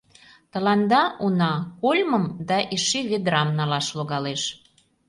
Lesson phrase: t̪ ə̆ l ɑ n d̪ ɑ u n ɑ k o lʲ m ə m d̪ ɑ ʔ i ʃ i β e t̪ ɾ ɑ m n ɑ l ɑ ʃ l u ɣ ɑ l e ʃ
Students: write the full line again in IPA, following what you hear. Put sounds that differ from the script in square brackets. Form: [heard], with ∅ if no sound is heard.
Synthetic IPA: t̪ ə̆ l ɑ n d̪ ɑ u n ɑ k o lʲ m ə m d̪ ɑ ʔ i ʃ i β e [d̪] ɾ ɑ m n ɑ l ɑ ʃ l [o] ɣ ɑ l e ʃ